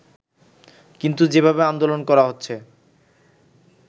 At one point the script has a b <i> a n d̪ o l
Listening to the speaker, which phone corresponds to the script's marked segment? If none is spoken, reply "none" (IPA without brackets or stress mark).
e